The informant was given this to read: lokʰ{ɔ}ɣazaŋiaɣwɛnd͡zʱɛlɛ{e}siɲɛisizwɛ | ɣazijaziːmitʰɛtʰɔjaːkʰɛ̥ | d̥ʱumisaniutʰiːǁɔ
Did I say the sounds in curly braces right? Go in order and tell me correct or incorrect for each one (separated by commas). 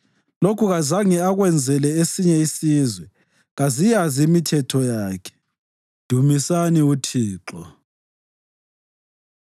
incorrect, correct